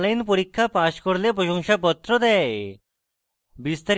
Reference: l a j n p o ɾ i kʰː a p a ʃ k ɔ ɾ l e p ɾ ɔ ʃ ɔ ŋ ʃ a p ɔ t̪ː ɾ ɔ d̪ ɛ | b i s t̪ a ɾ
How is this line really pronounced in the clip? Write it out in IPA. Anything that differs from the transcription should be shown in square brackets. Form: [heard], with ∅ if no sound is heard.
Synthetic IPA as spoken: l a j n p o ɾ i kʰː a p a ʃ k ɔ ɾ l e p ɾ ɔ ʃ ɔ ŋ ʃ a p ɔ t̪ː ɾ ɔ d̪ ɛ | b i s t̪ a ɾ

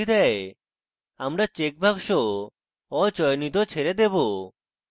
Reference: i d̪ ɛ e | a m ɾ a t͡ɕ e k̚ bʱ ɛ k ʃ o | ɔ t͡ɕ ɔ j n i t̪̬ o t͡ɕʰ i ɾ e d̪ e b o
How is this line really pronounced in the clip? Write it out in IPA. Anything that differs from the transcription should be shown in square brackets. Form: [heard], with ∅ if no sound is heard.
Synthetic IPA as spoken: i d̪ ɛ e | a m ɾ a t͡ɕ e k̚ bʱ [a] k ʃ o | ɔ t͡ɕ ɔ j n i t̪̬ o t͡ɕʰ [e] ɾ e d̪ e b o

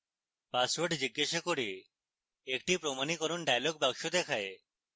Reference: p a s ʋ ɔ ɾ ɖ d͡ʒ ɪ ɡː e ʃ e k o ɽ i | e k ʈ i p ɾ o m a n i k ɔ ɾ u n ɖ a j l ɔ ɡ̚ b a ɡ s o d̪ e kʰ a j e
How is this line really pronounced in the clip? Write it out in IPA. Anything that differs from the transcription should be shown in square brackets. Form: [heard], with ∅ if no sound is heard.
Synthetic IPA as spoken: p a s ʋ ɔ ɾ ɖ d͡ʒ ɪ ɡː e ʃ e k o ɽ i | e k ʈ i p ɾ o m a n i k ɔ ɾ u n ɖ a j l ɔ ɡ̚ b a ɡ [ʃ] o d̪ e kʰ a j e

